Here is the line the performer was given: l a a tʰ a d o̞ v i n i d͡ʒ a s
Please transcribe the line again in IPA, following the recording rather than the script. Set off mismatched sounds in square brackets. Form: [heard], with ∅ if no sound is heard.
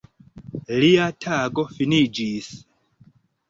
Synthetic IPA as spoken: l [i] a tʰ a [ɡ] o̞ [f] i n i d͡ʒ [i] s